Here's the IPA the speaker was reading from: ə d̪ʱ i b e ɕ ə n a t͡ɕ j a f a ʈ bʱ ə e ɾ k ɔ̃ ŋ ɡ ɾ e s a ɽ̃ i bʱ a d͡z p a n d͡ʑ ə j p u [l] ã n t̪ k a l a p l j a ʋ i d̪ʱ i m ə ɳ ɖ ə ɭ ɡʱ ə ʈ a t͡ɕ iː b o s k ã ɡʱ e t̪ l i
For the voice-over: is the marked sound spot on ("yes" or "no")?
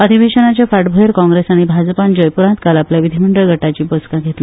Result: no